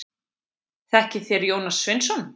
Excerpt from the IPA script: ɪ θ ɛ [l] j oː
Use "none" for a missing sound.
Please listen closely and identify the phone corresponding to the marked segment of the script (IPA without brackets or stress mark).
ɾ